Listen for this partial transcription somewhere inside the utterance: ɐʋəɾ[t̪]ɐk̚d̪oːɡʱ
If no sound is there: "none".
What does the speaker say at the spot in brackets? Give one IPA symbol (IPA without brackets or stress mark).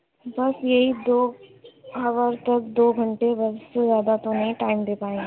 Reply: t̪